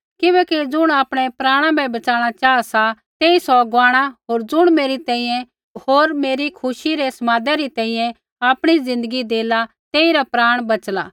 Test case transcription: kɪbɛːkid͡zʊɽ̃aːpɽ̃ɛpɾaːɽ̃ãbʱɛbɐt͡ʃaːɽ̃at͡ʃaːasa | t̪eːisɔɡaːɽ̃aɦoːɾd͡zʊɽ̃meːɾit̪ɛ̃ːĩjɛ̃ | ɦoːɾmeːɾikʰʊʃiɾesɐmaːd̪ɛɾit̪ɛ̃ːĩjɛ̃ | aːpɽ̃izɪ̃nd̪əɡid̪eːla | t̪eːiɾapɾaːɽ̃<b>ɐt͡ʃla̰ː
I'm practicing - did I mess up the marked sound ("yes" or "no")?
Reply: no